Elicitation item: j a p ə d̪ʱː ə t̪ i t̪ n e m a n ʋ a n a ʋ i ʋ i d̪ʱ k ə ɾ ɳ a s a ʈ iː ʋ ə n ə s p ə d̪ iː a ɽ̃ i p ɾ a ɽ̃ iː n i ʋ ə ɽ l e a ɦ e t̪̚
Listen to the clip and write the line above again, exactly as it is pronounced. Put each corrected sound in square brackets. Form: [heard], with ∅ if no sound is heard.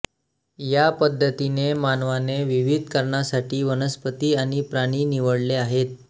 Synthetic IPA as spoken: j a p ə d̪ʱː ə t̪ i [∅] n e m a n ʋ a n [e] ʋ i ʋ i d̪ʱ k ə ɾ ɳ a s a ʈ iː ʋ ə n ə s p ə [t̪] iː a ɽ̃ i p ɾ a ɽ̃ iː n i ʋ ə ɽ l e a ɦ e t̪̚